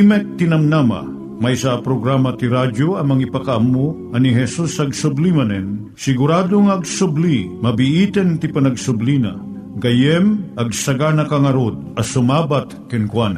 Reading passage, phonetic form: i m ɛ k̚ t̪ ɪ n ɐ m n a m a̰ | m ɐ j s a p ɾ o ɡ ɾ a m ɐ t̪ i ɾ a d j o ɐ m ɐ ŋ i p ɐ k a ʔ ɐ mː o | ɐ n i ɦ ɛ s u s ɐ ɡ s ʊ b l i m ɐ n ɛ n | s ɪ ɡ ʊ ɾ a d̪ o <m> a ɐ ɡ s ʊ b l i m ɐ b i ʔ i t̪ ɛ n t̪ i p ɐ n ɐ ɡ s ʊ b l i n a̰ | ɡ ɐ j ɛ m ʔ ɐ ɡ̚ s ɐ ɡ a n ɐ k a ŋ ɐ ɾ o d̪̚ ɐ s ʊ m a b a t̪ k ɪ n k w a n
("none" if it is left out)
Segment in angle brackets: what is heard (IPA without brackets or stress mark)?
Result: ŋ